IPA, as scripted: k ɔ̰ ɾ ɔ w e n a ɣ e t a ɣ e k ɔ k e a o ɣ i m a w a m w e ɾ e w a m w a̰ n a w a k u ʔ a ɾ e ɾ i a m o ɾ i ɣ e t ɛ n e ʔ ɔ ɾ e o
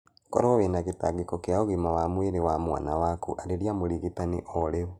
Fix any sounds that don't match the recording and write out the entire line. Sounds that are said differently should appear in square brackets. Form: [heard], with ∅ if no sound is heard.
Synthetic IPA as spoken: k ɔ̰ ɾ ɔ w e n a ɣ e t a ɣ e k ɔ k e a o ɣ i m a w a m w e ɾ e w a m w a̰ n a w a k u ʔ a ɾ e ɾ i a m o ɾ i ɣ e t [a] n e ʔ ɔ ɾ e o